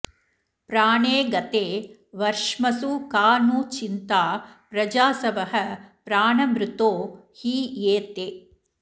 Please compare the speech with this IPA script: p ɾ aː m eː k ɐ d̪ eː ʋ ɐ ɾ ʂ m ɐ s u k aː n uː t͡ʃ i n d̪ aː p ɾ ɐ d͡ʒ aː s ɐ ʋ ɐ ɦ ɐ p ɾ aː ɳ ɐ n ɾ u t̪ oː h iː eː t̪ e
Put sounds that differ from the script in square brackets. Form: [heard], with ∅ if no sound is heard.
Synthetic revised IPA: p ɾ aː [ɳ] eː [ɡ] ɐ [t̪] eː ʋ ɐ ɾ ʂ m ɐ s u k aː n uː t͡ʃ i n [t̪] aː p ɾ ɐ d͡ʒ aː s ɐ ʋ ɐ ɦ ɐ p ɾ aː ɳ ɐ [m] ɾ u t̪ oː h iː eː t̪ e